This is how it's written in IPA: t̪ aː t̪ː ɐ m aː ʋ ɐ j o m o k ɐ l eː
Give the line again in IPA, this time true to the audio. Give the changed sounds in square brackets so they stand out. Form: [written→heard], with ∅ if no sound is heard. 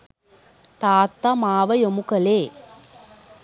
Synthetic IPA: t̪ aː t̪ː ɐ m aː ʋ ɐ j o m [o→u] k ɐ l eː